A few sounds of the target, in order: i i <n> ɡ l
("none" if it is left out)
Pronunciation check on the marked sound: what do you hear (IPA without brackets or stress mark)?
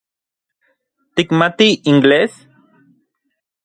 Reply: ŋ